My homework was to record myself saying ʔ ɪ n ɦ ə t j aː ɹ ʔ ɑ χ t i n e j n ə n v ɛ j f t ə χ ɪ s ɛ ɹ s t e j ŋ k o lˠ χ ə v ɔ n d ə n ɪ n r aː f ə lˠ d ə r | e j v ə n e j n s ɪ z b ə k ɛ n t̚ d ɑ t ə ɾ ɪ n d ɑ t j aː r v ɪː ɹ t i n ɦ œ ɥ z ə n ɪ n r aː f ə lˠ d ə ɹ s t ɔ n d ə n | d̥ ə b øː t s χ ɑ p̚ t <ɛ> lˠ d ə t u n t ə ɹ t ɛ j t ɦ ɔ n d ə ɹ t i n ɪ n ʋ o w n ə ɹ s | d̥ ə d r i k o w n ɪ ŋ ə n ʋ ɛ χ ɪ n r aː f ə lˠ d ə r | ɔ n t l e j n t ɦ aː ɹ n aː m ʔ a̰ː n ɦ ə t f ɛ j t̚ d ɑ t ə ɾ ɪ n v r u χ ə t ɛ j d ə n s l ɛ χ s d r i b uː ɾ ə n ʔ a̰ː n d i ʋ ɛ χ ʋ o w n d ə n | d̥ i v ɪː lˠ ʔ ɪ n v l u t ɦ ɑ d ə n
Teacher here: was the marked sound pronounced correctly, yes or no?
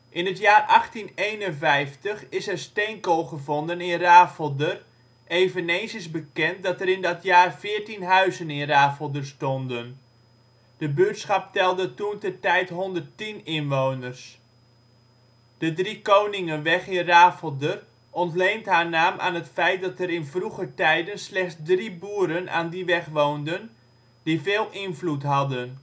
yes